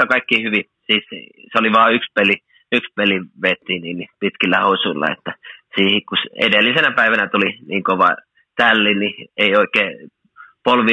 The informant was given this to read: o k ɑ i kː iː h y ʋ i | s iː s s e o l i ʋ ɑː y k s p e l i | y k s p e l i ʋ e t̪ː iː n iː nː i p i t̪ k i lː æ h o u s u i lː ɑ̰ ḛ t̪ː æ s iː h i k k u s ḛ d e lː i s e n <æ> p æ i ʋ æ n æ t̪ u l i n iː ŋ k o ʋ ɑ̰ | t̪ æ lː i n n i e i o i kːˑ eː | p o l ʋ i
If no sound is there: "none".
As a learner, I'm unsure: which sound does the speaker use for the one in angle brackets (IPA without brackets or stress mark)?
æ